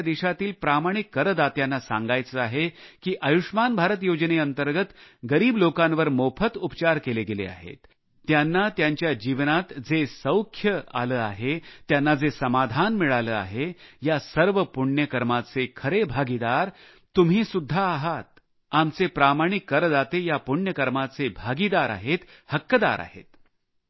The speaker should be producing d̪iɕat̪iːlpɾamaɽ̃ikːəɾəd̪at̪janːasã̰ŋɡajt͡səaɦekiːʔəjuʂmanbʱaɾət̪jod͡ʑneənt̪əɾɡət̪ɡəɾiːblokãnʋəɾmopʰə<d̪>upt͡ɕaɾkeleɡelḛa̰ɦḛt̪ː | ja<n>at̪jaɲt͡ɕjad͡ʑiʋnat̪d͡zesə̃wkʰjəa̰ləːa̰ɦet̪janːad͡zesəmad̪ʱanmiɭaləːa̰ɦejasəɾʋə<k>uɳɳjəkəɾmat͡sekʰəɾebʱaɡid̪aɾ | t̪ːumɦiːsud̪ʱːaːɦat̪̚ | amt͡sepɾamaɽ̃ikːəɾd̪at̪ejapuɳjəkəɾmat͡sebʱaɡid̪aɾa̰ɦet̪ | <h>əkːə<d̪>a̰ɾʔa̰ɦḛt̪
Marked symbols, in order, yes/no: no, no, no, yes, yes

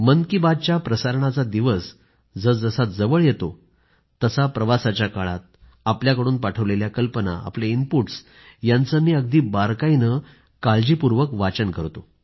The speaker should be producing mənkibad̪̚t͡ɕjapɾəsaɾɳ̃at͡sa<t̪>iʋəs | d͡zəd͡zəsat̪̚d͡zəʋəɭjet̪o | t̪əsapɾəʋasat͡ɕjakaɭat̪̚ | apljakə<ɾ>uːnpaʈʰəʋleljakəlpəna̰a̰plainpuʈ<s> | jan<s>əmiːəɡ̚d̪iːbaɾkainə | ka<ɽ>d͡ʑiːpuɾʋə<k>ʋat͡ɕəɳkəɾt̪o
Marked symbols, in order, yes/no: no, no, yes, no, no, yes

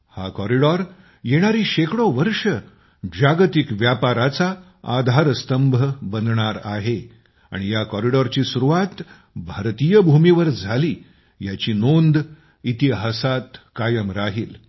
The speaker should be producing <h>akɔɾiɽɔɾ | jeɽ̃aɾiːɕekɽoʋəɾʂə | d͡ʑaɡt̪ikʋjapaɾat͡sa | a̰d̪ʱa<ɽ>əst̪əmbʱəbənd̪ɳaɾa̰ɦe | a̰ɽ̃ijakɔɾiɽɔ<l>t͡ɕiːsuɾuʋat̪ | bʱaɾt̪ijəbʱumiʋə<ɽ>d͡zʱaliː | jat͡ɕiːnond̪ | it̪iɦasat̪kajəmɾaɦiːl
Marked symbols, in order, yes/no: yes, no, no, no

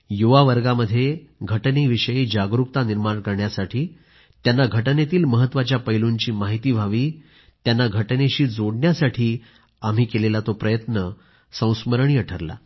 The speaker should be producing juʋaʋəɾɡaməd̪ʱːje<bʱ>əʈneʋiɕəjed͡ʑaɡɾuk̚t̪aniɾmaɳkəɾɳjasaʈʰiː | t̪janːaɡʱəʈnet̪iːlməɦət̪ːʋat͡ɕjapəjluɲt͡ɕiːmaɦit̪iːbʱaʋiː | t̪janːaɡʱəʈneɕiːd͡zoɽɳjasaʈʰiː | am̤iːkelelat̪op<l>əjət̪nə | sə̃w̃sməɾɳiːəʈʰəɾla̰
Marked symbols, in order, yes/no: no, no

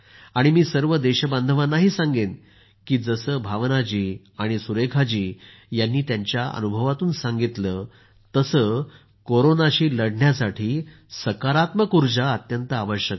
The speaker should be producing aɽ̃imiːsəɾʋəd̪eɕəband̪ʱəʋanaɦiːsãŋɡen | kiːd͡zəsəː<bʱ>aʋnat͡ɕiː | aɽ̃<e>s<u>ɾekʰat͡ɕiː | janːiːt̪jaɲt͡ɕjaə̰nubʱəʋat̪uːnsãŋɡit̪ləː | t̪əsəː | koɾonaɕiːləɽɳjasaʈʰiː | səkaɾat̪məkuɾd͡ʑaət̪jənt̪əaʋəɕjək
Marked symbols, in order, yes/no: yes, no, yes

